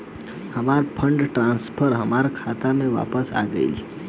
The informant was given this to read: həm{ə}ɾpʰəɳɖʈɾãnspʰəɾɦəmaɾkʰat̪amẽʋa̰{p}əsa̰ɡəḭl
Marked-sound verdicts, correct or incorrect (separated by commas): incorrect, correct